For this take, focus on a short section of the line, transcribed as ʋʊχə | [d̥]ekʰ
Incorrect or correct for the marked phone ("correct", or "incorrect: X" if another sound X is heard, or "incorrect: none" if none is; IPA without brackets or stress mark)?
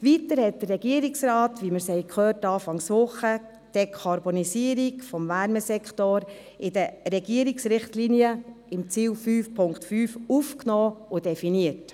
correct